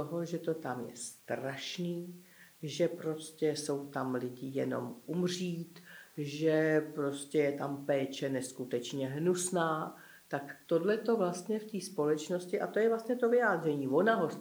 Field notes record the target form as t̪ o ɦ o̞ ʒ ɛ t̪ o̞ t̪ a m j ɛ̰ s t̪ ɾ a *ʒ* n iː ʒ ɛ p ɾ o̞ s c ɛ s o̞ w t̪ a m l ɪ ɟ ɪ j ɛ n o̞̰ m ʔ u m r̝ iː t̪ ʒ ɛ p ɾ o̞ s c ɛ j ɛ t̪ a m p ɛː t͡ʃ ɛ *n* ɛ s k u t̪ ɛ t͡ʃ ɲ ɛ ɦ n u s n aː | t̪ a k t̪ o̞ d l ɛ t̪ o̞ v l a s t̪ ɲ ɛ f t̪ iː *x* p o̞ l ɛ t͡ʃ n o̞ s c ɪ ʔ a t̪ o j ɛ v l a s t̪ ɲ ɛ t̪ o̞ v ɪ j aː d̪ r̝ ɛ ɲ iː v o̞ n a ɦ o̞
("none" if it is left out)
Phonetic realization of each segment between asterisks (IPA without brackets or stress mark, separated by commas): ʃ, n, s